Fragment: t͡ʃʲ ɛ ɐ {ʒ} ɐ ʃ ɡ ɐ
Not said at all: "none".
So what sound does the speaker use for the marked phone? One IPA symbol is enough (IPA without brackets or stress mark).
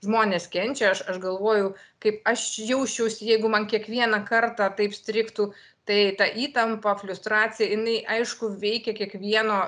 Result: ʃ